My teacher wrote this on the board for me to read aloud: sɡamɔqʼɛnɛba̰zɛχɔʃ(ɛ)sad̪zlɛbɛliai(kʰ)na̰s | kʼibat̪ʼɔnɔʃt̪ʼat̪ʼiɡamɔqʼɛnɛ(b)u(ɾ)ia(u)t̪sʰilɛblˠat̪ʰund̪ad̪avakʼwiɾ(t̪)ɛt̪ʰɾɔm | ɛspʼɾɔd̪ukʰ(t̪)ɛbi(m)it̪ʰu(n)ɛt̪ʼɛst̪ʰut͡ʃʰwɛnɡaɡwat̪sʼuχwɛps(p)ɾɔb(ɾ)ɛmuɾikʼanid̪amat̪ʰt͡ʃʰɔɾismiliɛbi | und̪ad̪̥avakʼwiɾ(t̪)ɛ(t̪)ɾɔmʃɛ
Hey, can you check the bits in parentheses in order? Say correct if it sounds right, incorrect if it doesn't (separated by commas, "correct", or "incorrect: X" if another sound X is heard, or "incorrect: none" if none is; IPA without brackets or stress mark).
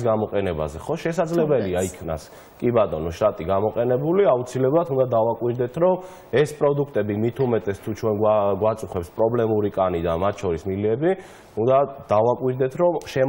correct, correct, correct, incorrect: l, correct, incorrect: d̪, incorrect: t̪ʼ, correct, incorrect: m, incorrect: pʼ, incorrect: l, incorrect: d̪, incorrect: t̪ʰ